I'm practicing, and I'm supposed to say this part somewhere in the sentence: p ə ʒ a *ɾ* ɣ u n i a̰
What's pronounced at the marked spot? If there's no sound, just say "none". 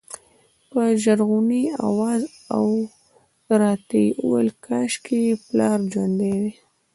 ɾ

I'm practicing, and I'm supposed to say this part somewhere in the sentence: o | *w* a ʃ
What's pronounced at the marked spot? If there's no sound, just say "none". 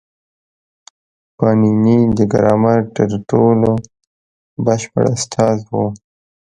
b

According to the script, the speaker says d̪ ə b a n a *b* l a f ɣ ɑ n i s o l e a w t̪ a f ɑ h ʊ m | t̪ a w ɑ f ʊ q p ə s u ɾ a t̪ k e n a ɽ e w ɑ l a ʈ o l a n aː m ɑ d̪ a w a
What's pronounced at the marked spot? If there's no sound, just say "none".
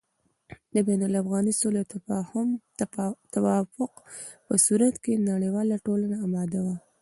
none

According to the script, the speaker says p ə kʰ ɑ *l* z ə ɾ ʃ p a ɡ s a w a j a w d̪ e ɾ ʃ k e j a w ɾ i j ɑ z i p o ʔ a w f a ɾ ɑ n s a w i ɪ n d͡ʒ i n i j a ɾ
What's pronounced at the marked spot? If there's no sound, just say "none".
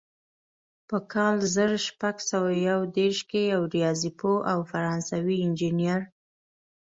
l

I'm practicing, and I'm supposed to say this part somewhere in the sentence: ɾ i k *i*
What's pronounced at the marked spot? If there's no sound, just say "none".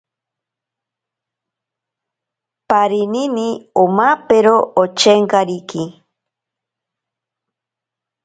i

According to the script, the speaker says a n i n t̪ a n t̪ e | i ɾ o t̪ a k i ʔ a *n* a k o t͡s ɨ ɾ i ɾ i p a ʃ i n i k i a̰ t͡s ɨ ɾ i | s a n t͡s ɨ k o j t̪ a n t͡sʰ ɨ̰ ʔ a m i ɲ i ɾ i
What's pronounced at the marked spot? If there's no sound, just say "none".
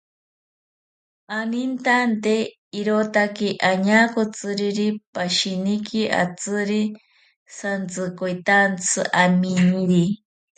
ɲ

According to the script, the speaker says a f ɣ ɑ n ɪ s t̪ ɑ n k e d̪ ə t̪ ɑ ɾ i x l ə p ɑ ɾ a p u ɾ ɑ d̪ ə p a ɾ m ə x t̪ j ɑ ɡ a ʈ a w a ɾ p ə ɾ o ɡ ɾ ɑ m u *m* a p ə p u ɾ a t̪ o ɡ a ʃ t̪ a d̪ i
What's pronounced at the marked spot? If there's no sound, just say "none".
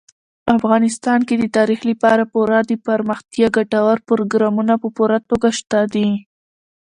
n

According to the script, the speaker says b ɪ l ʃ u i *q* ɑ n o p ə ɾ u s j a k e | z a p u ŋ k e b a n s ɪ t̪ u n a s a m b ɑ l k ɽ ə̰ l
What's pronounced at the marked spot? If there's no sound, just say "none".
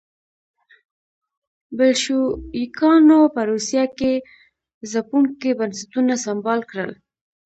k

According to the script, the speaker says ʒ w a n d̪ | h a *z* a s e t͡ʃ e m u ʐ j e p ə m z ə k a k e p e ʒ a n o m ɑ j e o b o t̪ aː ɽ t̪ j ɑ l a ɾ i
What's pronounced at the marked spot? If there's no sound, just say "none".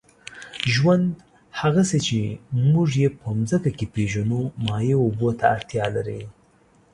ɣ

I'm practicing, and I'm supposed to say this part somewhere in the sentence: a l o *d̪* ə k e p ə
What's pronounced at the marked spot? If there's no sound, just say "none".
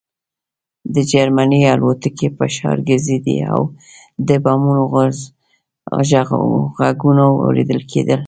t̪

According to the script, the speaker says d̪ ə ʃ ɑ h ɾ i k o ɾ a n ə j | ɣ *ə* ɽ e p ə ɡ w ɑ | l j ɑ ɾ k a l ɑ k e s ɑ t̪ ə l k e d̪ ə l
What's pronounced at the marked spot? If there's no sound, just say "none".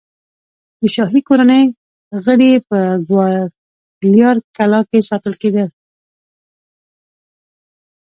ə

